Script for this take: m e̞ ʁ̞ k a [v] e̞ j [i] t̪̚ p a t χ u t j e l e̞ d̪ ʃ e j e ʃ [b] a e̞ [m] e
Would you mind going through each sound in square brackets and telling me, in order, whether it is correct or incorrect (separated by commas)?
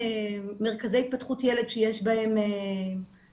incorrect, correct, correct, correct